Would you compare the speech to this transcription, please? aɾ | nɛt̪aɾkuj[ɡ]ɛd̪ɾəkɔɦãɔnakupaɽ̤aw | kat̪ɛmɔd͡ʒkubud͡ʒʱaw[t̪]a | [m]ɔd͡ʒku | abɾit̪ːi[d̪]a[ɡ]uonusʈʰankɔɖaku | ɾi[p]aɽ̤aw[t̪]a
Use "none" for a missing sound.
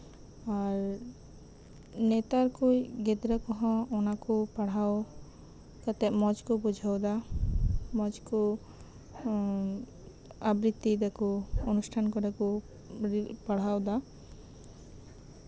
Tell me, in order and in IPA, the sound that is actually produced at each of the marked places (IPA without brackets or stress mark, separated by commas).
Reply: ɡ, d̪, m, d̪, k, p, d̪